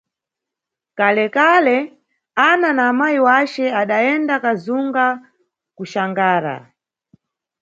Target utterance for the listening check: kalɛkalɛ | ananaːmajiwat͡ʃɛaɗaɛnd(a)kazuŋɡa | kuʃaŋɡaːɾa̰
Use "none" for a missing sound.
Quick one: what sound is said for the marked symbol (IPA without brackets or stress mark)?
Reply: a